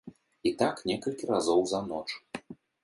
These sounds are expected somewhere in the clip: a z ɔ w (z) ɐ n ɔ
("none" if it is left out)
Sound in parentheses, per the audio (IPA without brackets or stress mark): z